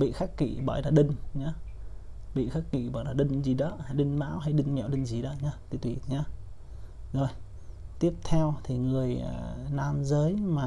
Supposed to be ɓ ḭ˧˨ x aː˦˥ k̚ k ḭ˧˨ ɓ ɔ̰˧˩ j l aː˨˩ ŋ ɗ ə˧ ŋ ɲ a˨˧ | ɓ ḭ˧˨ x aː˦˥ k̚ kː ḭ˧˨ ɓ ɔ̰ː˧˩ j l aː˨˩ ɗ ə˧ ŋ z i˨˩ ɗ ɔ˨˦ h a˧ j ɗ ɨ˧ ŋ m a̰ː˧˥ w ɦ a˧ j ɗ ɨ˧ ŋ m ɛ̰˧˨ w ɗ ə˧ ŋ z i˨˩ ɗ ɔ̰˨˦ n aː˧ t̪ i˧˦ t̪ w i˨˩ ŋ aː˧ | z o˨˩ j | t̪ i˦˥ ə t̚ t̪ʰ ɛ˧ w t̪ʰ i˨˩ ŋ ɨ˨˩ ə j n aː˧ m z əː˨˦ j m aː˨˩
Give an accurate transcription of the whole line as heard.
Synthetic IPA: ɓ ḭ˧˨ x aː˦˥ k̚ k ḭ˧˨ ɓ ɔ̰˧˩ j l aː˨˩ ɗ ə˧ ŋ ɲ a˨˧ | ɓ ḭ˧˨ x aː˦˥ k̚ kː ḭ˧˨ ɓ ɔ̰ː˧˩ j l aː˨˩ ɗ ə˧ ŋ z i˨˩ ɗ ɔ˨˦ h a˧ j ɗ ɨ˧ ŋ m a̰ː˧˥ w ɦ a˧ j ɗ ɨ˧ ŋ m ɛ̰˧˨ w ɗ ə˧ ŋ z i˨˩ ɗ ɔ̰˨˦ ɲ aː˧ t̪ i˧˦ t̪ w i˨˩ ɲ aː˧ | z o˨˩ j | t̪ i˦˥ ə p̚ t̪ʰ ɛ˧ w t̪ʰ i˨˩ ŋ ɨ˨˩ ə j n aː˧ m z əː˨˦ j m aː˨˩